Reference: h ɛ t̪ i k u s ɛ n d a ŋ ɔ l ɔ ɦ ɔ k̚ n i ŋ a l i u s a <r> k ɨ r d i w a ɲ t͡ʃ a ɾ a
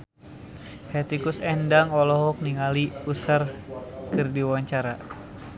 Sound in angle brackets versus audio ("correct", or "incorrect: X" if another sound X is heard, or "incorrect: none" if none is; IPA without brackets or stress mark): correct